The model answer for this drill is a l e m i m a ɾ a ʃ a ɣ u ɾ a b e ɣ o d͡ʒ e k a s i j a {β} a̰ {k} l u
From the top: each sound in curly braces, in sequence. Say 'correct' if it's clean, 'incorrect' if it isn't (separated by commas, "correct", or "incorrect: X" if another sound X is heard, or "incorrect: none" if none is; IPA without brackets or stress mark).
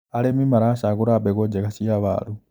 correct, incorrect: none